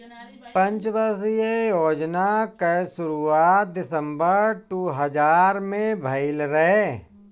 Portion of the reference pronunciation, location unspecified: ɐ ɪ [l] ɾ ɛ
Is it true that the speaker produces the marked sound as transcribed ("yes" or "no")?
yes